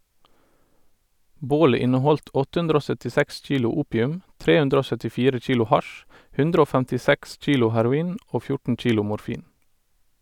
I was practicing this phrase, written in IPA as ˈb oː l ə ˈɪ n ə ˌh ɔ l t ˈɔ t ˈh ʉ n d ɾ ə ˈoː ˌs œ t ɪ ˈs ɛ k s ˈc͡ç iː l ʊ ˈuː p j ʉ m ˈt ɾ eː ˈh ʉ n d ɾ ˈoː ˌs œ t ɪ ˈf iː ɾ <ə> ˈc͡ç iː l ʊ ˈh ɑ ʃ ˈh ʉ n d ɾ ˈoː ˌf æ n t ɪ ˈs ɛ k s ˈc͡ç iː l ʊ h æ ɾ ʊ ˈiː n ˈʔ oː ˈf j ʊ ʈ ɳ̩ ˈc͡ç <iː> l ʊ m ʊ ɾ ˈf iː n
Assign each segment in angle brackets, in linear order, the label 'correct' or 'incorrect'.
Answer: correct, correct

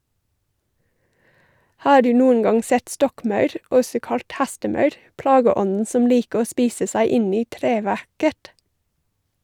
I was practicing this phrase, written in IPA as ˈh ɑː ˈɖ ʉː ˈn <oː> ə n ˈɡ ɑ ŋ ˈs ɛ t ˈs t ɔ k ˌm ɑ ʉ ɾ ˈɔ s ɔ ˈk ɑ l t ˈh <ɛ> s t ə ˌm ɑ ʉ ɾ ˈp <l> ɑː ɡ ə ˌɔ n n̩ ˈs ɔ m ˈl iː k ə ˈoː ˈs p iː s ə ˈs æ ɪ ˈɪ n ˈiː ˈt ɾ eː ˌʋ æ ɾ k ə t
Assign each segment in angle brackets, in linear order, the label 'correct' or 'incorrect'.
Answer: incorrect: uː, incorrect: æ, correct

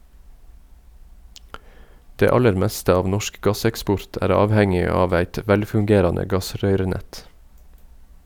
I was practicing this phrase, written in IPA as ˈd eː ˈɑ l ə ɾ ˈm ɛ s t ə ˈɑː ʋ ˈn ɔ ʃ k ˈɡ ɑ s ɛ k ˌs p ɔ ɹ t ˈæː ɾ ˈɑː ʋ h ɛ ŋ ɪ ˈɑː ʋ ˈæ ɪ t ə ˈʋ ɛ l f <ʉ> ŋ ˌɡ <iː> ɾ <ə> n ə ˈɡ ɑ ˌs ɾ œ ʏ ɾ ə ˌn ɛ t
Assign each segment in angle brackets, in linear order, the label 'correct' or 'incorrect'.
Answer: correct, incorrect: eː, incorrect: ɑ

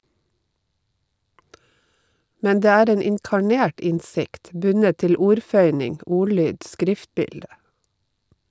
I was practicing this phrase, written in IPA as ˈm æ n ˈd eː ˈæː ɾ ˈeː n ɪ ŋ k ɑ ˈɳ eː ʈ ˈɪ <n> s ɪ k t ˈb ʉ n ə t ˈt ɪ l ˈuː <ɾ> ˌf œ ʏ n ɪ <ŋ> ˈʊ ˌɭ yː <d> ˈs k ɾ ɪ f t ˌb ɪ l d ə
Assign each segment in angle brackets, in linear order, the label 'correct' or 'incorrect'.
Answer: correct, correct, correct, correct

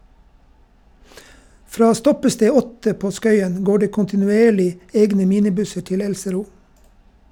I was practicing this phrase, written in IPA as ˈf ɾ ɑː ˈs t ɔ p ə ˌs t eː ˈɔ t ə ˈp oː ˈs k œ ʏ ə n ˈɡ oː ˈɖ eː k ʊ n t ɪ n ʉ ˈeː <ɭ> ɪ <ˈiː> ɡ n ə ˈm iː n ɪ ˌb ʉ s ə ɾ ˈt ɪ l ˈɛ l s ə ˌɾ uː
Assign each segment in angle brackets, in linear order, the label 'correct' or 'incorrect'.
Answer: correct, incorrect: eː

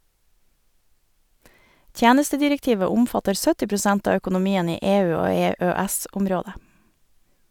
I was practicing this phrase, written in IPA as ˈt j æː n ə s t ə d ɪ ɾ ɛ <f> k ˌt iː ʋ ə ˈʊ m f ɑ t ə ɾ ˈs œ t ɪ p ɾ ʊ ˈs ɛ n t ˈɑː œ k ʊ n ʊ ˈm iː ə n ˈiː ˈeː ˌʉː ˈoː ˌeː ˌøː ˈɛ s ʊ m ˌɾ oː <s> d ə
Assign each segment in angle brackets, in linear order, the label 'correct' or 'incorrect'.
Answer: incorrect: none, incorrect: none

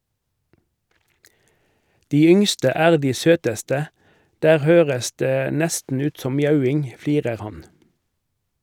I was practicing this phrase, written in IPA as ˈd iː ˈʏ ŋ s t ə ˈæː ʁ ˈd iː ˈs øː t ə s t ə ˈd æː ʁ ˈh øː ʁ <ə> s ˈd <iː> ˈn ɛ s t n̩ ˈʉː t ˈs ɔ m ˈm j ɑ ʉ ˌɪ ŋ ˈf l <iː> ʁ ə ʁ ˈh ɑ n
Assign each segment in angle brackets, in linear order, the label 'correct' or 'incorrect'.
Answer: correct, incorrect: eː, correct

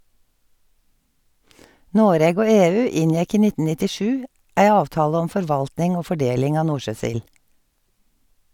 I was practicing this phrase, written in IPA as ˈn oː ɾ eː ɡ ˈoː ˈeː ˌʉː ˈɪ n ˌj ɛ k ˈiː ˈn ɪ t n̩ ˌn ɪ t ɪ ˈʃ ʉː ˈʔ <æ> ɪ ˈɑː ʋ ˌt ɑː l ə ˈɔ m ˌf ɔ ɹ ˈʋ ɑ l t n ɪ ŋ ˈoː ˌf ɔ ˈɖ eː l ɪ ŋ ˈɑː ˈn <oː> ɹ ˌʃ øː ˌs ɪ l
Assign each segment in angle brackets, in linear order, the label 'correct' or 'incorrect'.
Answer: correct, incorrect: uː

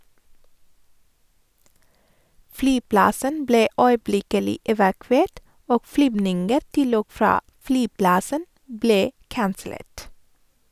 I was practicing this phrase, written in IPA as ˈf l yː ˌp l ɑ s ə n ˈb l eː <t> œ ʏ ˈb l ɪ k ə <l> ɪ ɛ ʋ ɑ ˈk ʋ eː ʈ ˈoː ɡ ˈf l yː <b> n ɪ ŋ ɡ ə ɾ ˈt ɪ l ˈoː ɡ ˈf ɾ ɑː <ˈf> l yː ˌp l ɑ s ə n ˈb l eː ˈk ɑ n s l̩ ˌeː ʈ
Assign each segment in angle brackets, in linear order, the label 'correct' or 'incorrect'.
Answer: incorrect: none, correct, correct, correct

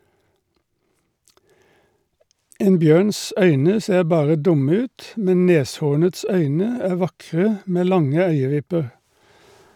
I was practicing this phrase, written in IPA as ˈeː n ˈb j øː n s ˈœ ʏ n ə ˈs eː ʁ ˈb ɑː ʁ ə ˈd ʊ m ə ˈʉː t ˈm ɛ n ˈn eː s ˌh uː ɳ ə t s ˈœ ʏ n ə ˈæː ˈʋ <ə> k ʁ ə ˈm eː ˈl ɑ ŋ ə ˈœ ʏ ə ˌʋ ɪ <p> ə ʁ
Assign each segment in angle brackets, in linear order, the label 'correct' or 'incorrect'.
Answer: incorrect: ɑ, correct

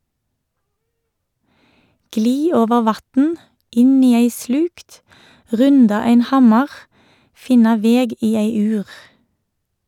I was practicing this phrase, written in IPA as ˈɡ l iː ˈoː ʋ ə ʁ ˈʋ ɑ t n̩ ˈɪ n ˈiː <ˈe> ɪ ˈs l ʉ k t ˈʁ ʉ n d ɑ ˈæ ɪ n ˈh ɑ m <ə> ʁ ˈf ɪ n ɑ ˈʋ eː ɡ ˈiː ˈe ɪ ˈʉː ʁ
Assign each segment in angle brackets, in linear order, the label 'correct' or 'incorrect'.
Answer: incorrect: æ, incorrect: ɑ

